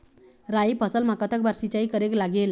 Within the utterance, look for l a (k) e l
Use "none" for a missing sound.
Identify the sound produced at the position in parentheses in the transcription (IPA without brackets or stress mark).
ɡ